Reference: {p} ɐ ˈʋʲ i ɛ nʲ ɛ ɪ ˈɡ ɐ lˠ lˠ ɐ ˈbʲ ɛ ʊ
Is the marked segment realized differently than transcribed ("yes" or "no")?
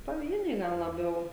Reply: no